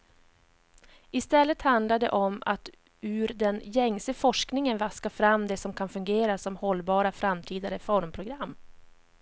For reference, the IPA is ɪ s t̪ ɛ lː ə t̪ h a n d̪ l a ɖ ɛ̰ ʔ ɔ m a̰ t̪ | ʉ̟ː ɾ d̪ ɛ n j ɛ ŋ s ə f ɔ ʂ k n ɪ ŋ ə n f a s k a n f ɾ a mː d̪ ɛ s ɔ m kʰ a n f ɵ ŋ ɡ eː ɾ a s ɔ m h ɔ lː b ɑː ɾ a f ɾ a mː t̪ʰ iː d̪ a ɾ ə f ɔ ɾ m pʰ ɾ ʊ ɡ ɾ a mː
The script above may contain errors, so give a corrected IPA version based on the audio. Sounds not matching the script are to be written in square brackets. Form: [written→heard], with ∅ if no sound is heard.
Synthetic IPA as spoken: ɪ s t̪ ɛ lː ə t̪ h a n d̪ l a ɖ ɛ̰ ʔ ɔ m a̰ t̪ | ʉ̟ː ɾ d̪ ɛ n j ɛ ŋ s ə f ɔ ʂ k n ɪ ŋ ə n [f→v] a s k a [n→∅] f ɾ a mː d̪ ɛ s ɔ m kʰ a n f ɵ ŋ ɡ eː ɾ a s ɔ m h ɔ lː b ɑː ɾ a f ɾ a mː t̪ʰ iː d̪ a ɾ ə f ɔ ɾ m pʰ ɾ ʊ ɡ ɾ a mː